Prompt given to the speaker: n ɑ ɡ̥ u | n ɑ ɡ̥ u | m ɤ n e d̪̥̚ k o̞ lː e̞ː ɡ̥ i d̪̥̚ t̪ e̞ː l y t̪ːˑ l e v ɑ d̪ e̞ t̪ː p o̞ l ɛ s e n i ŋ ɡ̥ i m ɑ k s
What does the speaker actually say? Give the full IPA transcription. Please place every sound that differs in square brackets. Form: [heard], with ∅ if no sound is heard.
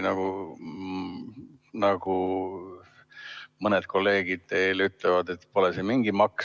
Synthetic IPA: n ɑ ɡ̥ u | n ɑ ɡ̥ u | m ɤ n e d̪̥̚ k o̞ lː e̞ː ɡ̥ i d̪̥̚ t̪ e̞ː l y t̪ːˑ l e v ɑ d̪ e̞ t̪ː p o̞ l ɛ s e [m] i ŋ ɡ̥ i m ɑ k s